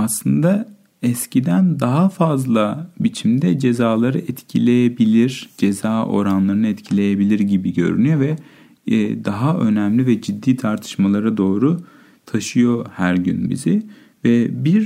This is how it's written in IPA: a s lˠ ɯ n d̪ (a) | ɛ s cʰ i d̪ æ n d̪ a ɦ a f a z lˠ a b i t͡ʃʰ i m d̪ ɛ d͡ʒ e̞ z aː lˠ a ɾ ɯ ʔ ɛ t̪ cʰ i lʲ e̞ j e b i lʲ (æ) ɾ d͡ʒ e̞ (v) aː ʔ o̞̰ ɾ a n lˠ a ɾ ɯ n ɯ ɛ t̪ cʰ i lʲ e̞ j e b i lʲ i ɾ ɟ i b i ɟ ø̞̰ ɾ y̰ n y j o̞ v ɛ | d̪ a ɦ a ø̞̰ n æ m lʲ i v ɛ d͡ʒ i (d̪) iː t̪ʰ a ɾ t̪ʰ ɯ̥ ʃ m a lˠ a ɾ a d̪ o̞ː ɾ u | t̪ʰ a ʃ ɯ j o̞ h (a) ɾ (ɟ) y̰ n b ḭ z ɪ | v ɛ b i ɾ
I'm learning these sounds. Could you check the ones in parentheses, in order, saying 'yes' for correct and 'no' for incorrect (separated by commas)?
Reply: yes, no, no, no, no, yes